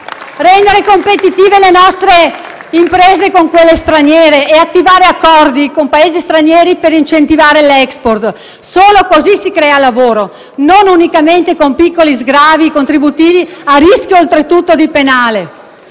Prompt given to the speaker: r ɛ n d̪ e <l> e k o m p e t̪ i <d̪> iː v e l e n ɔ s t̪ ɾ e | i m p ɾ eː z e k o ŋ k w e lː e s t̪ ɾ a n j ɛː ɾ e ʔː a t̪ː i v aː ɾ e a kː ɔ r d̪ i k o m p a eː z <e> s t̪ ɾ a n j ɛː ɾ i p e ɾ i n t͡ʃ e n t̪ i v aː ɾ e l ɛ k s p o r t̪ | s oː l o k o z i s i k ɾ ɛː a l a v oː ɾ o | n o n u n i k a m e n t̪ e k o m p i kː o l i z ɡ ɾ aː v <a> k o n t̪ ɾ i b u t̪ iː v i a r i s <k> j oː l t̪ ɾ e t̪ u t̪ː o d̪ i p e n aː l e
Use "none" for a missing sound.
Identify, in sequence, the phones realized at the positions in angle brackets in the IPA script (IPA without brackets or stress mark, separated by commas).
ɾ, t̪, i, i, k